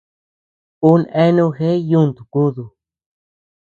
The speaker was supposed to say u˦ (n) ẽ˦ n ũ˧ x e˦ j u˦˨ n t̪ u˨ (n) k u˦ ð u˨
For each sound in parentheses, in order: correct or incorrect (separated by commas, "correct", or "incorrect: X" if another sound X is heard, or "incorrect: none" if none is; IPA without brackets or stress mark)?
correct, incorrect: none